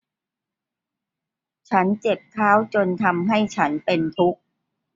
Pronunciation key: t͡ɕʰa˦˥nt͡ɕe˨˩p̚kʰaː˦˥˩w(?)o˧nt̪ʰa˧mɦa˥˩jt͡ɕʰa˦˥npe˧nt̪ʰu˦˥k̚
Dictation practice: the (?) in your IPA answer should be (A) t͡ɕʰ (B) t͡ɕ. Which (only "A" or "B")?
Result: B